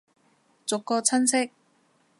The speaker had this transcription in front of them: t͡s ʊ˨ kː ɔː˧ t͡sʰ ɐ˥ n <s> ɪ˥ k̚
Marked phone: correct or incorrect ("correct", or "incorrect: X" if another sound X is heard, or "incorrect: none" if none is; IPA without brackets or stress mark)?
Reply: correct